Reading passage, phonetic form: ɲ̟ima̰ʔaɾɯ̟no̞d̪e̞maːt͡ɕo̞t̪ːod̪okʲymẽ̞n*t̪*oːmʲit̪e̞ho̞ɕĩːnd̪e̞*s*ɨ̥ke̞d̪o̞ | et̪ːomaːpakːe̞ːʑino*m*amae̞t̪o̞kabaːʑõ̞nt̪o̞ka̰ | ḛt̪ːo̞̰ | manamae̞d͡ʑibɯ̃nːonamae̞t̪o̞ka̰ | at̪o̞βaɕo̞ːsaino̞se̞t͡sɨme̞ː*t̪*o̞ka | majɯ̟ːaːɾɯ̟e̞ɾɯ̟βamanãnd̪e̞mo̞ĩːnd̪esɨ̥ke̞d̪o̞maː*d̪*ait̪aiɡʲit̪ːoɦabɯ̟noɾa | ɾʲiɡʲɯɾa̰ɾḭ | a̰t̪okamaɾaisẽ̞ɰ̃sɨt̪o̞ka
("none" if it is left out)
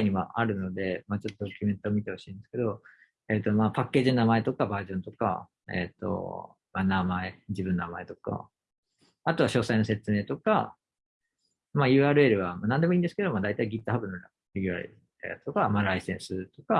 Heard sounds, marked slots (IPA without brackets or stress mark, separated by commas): t̪, s, n, t̪, d̪